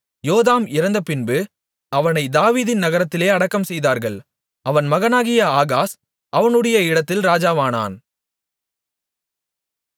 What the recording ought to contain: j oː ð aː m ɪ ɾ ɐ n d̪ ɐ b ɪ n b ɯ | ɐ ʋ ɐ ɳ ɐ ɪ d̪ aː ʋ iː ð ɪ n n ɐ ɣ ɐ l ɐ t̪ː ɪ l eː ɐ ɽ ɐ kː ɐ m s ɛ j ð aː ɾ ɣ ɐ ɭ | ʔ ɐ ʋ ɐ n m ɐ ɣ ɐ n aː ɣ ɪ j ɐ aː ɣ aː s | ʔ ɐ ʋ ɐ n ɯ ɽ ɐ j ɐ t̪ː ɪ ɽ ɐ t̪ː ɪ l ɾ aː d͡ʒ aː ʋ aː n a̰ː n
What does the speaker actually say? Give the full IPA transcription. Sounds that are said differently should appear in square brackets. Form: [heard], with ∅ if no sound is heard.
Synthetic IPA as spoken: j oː ð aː m ɪ ɾ ɐ n d̪ ɐ [p] ɪ n b ɯ | ɐ ʋ ɐ [n] ɐ ɪ d̪ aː ʋ iː ð ɪ n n ɐ ɣ ɐ [ɾ] ɐ t̪ː ɪ l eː ɐ ɽ ɐ kː ɐ m s ɛ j ð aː ɾ ɣ ɐ ɭ | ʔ ɐ ʋ ɐ n m ɐ ɣ ɐ n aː ɣ ɪ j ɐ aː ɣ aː s | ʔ ɐ ʋ ɐ n ɯ ɽ ɐ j ɐ [∅] ɪ ɽ ɐ t̪ː ɪ l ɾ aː d͡ʒ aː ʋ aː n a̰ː n